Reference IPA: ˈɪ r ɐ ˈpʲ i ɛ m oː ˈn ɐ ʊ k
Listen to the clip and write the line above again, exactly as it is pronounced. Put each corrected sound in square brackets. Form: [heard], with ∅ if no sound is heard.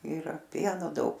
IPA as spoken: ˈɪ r ɐ ˈpʲ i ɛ [n] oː [ˈd] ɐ ʊ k